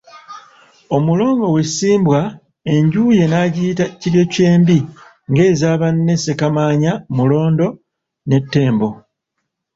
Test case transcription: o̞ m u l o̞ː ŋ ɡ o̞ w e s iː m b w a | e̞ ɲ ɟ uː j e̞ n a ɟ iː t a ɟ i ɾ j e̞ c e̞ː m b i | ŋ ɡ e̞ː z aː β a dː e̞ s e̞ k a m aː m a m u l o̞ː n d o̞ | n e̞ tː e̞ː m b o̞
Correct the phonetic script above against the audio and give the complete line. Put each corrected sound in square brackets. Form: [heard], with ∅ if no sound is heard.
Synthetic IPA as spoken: o̞ m u l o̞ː ŋ ɡ o̞ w e s iː m b w a | e̞ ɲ ɟ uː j e̞ n a ɟ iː t a [c] i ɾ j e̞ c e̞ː m b i | ŋ ɡ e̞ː z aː β a [nː] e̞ s e̞ k a m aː [ɲ] a m u l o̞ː n d o̞ | n e̞ tː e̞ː m b o̞